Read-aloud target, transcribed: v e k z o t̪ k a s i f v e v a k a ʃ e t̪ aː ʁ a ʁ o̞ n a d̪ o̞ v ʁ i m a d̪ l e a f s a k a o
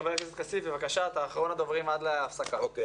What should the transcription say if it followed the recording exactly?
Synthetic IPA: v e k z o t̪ k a s i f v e v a k a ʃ a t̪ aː χ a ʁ o̞ n a d̪ o̞ v ʁ i m a d̪ l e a f s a k a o